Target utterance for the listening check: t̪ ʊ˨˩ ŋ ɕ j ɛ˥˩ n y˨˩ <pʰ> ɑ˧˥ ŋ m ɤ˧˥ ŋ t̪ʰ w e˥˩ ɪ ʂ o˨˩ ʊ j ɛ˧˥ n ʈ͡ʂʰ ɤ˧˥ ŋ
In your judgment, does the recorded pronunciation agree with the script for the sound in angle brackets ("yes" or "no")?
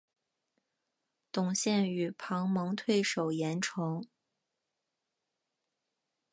yes